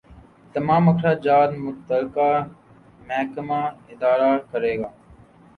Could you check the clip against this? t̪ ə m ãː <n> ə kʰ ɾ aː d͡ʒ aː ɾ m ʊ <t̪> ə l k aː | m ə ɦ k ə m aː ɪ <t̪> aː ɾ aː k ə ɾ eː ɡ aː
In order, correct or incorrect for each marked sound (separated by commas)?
incorrect, correct, incorrect